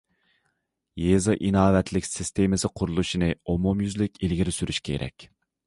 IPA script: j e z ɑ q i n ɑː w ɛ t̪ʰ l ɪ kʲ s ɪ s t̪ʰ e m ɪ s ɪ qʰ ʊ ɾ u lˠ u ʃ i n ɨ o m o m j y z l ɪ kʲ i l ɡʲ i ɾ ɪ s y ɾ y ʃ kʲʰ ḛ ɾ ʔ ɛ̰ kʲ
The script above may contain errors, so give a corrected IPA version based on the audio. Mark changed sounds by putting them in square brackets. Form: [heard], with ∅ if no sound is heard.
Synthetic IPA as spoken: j e z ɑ [ʔ] i n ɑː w ɛ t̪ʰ l ɪ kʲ s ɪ s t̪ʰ e m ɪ s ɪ qʰ ʊ ɾ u lˠ u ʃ i n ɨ o m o m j y z l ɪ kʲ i l ɡʲ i ɾ ɪ s y ɾ y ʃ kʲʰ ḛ ɾ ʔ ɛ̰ kʲ